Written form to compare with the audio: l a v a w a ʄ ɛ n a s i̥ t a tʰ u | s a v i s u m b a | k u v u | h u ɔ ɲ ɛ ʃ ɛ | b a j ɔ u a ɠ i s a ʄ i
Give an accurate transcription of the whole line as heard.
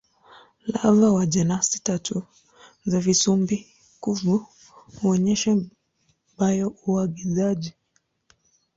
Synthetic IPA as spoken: l a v a w a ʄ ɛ n a s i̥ t a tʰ u | z a v i s u m b i | k u v u | h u ɔ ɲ ɛ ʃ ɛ | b a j ɔ u a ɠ i z a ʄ i